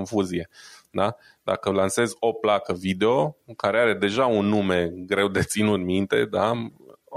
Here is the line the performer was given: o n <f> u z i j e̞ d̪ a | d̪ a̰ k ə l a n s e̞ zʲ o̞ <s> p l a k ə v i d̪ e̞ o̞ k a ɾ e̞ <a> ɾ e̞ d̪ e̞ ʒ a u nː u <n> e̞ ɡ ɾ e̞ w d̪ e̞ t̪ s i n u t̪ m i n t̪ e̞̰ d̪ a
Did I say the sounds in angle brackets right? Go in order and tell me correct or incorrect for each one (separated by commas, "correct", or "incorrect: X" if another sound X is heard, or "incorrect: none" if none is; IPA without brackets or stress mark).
correct, incorrect: none, correct, incorrect: m